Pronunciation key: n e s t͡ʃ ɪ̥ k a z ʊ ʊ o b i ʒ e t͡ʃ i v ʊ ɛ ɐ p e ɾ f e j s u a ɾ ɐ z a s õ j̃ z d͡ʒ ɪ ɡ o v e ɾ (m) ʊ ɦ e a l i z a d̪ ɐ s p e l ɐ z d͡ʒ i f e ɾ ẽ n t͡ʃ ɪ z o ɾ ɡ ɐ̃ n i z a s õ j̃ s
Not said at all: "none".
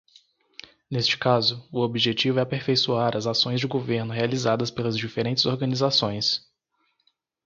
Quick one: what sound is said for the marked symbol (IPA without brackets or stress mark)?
n